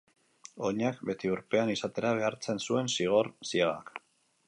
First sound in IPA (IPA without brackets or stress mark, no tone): o̞